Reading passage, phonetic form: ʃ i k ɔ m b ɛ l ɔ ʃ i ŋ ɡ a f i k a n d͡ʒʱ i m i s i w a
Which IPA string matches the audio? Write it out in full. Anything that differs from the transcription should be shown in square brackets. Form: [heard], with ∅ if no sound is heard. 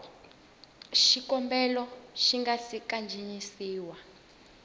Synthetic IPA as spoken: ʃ i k ɔ m b ɛ l ɔ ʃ i ŋ ɡ a [s] i k a n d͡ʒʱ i [ɲ] i s [iː] w a

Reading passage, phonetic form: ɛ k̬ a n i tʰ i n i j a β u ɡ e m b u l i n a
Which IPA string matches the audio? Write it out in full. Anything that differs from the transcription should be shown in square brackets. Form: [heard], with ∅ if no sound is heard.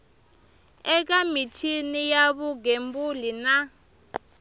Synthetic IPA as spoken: ɛ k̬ a [m] i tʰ i n i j a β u ɡ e m b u l i n a

